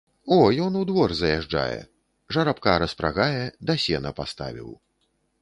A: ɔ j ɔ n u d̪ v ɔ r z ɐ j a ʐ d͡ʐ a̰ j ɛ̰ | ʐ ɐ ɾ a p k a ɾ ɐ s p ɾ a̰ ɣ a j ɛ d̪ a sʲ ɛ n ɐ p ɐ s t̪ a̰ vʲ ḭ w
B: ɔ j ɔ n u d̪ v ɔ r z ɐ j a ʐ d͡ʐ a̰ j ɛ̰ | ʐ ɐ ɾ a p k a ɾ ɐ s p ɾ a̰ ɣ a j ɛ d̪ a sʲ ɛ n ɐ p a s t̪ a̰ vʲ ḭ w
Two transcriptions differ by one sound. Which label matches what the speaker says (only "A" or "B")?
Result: B